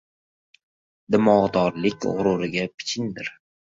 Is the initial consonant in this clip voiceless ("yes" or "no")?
no